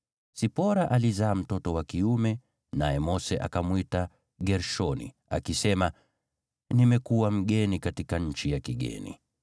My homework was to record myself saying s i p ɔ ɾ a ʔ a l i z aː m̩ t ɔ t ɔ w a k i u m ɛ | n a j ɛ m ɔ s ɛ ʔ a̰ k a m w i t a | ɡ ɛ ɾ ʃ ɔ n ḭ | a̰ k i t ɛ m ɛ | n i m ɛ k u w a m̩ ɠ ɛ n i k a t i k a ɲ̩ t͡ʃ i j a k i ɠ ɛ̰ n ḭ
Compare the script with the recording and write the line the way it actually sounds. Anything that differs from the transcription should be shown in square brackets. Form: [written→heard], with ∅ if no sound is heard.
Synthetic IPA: s i p ɔ ɾ a ʔ a l i z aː m̩ t ɔ t ɔ w a k i u m ɛ | n a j ɛ m ɔ s ɛ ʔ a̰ k a m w i t a | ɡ ɛ ɾ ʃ ɔ n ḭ | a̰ k i [t→s] ɛ m [ɛ→a] | n i m ɛ k u w a m̩ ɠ ɛ n i k a t i k a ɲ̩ t͡ʃ i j a k i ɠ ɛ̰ n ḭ